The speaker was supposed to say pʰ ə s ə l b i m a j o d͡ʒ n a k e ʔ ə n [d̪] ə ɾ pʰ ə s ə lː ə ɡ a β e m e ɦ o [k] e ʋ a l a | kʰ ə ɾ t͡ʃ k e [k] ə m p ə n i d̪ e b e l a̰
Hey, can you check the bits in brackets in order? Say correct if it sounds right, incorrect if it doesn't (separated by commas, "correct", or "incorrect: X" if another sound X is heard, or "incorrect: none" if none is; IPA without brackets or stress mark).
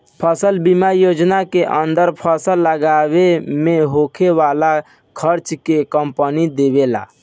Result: correct, incorrect: kʰ, correct